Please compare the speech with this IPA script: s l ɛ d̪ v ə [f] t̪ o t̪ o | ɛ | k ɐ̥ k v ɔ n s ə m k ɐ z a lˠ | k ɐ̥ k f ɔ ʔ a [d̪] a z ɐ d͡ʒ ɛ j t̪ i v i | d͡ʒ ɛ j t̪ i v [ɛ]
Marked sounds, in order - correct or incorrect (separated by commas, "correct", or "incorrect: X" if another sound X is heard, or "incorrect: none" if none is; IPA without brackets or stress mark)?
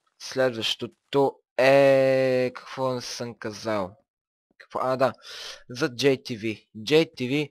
incorrect: ʃ, correct, incorrect: i